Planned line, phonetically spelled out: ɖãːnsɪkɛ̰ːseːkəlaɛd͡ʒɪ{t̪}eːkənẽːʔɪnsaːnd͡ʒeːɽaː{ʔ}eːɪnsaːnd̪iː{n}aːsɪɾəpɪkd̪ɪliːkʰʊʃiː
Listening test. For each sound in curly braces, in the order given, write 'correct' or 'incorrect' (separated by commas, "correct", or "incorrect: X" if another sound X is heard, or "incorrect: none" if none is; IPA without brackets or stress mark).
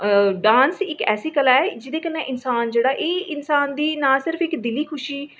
incorrect: d̪, correct, correct